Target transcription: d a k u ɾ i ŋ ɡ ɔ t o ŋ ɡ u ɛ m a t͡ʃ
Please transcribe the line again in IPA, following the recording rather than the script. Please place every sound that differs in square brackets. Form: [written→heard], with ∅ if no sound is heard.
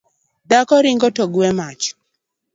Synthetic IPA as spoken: d a k [u→ɔ] ɾ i ŋ ɡ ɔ t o [ŋ→∅] ɡ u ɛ m a t͡ʃ